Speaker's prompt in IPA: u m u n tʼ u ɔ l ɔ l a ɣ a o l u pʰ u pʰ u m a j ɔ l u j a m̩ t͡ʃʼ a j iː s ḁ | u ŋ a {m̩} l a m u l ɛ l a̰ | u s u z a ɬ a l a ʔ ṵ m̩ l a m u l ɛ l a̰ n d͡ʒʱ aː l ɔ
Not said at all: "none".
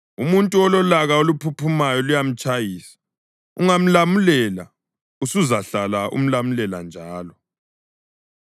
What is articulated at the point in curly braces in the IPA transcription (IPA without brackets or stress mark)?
m̩